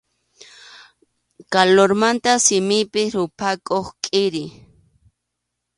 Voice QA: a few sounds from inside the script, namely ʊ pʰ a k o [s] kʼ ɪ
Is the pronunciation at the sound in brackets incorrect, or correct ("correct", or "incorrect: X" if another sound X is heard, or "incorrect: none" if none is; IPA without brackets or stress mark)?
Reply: incorrect: χ